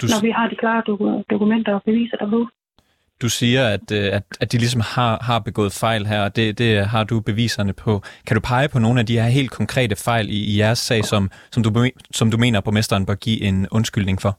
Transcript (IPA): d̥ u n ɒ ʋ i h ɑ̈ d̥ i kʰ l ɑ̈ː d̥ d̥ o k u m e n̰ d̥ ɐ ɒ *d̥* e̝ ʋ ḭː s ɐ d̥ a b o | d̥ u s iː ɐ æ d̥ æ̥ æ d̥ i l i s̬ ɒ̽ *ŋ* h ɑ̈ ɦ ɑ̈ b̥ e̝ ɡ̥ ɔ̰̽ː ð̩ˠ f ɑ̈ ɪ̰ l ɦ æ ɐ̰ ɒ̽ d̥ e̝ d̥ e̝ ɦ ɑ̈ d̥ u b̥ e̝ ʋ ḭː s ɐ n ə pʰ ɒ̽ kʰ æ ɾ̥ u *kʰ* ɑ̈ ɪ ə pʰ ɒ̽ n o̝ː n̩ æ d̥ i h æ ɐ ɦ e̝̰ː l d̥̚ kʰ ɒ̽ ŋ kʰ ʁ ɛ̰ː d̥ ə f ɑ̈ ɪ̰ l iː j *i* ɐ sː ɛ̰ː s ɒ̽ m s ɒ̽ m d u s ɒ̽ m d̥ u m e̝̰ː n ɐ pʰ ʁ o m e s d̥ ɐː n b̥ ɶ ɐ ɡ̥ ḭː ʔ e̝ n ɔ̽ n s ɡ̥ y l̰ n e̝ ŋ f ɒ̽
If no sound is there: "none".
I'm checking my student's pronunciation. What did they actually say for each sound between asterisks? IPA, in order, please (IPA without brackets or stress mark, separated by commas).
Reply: b̥, m, pʰ, æ